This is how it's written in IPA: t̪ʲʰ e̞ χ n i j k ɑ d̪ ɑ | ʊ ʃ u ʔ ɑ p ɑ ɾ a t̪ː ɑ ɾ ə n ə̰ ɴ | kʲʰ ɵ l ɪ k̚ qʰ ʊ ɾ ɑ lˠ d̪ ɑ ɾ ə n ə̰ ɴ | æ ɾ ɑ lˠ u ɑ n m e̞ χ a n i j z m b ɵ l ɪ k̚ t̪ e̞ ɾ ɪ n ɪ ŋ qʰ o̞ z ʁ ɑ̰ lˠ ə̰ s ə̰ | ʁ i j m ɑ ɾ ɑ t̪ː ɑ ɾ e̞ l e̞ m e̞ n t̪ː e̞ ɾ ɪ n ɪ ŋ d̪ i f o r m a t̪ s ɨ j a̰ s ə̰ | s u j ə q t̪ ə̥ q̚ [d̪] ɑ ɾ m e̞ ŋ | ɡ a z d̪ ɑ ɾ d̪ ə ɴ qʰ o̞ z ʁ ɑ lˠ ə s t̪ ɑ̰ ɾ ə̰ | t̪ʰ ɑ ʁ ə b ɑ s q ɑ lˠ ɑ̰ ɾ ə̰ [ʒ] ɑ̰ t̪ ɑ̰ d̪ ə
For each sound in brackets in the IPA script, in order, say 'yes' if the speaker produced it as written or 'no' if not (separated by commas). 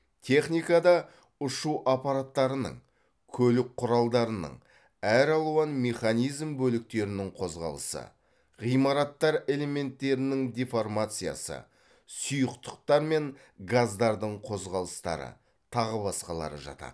no, yes